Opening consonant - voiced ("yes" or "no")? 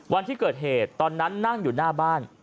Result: yes